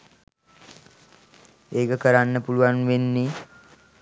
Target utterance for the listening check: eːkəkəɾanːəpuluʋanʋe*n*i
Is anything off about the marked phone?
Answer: yes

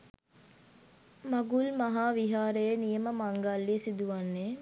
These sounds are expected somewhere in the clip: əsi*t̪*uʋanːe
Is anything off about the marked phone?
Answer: yes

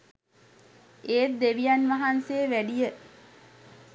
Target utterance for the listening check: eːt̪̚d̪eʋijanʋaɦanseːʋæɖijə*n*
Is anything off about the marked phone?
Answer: yes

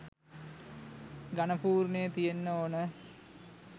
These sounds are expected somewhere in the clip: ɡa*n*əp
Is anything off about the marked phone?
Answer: no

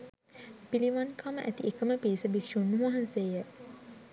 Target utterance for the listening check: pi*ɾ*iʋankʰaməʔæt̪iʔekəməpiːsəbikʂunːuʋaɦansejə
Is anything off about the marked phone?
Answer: yes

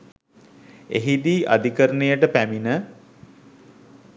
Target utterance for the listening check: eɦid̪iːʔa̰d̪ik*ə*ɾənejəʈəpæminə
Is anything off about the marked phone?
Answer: no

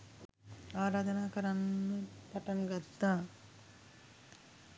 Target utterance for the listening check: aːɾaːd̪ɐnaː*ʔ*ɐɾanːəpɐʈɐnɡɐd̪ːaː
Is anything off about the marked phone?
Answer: yes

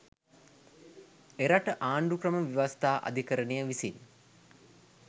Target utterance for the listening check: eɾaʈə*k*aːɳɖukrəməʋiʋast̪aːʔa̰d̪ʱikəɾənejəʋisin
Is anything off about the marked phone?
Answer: yes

